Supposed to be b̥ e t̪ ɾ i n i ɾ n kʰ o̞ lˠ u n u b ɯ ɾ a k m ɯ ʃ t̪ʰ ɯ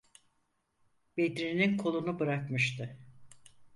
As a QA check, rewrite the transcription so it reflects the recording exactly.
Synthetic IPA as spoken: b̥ e d̪ ɾ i n i n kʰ o̞ lˠ u n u b ɯ ɾ a k m ɯ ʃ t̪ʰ ɯ

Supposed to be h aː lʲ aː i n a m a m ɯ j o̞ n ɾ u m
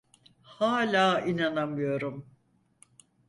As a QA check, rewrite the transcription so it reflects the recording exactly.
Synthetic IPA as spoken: h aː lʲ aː i n a n a m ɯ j o̞ ɾ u m

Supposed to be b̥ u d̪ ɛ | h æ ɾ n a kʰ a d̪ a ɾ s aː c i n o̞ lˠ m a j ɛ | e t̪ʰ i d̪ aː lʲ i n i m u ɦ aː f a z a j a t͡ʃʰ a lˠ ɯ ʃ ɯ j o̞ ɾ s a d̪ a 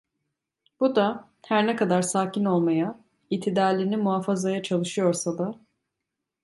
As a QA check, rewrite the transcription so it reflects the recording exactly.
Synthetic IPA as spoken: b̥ u d̪ a | h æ ɾ n ɛ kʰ a d̪ a ɾ s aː c i n o̞ lˠ m a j a | i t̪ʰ i d̪ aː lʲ i n i m u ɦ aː f a z a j a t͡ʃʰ a lˠ ɯ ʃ ɯ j o̞ ɾ s a d̪ a

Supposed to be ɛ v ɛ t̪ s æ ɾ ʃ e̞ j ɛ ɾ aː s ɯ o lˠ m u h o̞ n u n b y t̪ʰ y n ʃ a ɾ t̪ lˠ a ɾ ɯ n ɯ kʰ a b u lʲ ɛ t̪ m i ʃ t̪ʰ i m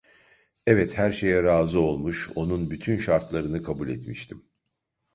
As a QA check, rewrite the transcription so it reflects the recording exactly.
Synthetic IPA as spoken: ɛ v ɛ t̪ h æ ɾ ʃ e̞ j ɛ ɾ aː z ɯ o lˠ m u ʃ o̞ n u n b y t̪ʰ y n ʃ a ɾ t̪ lˠ a ɾ ɯ n ɯ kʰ a b u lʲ ɛ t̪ m i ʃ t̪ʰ i m

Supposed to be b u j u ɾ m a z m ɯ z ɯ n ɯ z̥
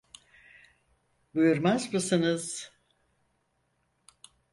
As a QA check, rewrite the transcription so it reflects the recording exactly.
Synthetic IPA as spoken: b u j u ɾ m a z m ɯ s ɯ n ɯ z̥

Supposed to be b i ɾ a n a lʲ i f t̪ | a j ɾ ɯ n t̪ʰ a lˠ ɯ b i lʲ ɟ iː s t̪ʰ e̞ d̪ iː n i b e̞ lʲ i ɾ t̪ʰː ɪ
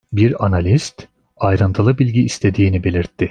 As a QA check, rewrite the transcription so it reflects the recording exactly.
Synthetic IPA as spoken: b i ɾ a n a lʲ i s t̪ | a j ɾ ɯ n t̪ʰ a lˠ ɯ b i lʲ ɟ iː s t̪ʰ e̞ d̪ iː n i b e̞ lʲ i ɾ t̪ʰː ɪ

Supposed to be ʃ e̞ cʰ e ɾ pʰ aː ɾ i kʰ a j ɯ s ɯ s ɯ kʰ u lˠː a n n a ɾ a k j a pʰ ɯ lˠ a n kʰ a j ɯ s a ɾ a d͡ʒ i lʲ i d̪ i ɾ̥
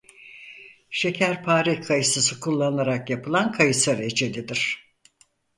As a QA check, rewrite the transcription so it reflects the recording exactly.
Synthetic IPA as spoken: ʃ e̞ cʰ æ ɾ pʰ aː ɾ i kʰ a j ɯ s ɯ s ɯ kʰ u lˠː a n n a ɾ a k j a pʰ ɯ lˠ a n kʰ a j ɯ s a ɾ e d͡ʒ e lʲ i d̪ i ɾ̥

